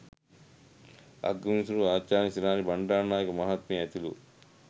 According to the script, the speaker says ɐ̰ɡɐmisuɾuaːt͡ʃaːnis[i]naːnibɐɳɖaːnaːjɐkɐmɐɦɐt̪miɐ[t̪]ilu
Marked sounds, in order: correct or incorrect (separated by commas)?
correct, correct